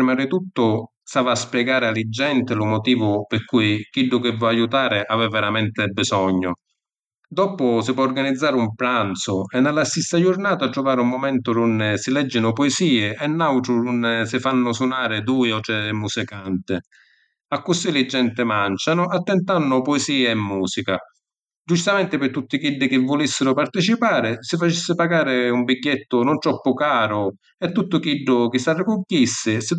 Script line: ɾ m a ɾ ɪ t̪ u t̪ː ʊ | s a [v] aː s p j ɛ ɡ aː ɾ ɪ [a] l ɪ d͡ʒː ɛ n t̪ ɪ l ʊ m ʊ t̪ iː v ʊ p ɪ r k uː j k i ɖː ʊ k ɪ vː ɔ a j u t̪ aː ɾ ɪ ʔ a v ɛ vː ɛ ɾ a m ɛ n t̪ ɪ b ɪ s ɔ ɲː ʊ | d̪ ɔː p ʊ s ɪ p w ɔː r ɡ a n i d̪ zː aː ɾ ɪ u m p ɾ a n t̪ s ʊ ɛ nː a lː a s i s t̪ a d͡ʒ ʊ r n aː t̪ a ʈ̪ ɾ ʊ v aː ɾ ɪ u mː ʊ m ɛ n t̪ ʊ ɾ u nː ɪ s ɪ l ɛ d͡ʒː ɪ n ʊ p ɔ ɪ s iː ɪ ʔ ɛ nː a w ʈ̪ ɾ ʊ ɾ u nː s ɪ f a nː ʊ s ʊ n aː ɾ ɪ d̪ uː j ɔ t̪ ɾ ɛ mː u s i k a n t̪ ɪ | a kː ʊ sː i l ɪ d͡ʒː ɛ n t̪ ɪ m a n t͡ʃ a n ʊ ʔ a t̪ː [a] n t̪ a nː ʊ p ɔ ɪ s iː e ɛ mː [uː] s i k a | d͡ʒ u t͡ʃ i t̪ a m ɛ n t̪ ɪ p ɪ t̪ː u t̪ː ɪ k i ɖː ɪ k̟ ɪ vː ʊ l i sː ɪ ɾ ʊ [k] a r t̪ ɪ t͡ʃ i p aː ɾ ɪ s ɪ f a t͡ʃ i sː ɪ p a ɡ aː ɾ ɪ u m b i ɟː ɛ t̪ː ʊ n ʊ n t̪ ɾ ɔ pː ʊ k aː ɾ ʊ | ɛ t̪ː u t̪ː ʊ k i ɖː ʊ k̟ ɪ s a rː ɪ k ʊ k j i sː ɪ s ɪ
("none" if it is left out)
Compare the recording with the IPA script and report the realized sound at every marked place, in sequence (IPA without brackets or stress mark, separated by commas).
v, a, ɛ, uː, p